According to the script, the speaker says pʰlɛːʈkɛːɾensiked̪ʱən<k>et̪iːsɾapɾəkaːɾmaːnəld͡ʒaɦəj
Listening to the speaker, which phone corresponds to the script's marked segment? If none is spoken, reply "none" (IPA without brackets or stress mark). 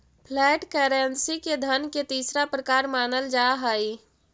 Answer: k